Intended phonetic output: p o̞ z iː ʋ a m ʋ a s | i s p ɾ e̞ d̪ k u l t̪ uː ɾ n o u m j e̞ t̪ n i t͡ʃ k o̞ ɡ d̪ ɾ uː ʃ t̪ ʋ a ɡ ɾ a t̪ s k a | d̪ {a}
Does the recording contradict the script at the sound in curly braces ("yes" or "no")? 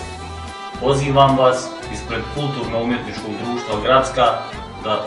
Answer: no